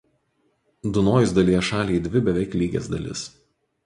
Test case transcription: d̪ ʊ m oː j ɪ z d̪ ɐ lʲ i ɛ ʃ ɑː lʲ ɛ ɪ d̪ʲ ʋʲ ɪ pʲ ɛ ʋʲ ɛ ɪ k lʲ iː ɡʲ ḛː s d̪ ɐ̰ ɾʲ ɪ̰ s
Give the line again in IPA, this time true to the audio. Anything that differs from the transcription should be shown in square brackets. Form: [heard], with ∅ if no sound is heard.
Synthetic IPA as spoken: d̪ ʊ [n] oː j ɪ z d̪ ɐ lʲ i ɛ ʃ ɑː lʲ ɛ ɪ d̪ʲ ʋʲ ɪ [bʲ] ɛ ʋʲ ɛ ɪ k lʲ iː ɡʲ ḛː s d̪ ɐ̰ [lʲ] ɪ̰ s